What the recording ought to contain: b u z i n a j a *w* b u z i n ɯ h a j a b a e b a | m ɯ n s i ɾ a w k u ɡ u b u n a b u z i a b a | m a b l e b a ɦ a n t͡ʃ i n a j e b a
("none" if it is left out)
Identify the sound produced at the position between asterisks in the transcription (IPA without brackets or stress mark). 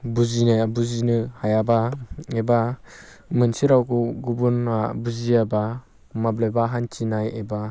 none